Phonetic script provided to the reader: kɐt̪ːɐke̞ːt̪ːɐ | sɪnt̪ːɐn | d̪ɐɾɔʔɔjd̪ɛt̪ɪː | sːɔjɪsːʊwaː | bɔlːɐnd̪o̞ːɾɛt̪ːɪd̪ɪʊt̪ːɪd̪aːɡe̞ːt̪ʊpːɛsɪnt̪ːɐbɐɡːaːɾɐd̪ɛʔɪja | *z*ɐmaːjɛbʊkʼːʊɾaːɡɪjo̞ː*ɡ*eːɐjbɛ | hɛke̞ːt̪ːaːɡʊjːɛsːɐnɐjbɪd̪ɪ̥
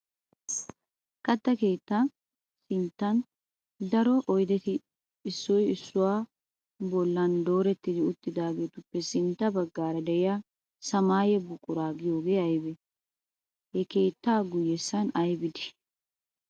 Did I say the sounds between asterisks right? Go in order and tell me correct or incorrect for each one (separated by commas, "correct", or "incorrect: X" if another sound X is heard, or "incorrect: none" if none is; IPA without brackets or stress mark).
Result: incorrect: s, correct